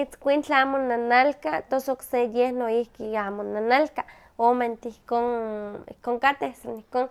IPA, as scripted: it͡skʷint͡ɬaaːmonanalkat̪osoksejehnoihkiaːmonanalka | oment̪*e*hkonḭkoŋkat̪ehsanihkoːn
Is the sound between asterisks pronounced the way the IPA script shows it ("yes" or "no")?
no